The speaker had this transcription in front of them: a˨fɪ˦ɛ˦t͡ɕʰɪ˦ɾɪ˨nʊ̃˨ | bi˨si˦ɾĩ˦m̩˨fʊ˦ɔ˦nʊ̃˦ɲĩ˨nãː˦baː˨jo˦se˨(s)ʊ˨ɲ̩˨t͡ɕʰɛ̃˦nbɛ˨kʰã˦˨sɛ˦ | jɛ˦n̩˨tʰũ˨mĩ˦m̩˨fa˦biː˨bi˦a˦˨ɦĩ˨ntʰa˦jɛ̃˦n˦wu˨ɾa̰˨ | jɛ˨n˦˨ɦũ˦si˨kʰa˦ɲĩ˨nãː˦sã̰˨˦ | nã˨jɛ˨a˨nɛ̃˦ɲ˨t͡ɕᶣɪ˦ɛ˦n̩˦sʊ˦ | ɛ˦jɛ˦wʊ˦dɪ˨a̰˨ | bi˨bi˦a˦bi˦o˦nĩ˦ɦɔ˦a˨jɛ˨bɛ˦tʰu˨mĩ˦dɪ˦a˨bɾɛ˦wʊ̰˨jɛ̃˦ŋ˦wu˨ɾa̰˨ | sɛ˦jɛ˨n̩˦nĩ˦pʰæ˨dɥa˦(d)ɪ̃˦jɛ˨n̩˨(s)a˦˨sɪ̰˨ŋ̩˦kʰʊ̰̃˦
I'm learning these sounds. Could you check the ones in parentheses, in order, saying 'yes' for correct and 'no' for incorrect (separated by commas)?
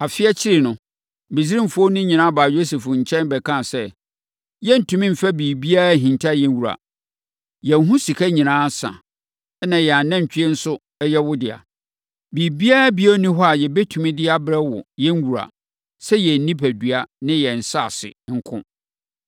no, no, yes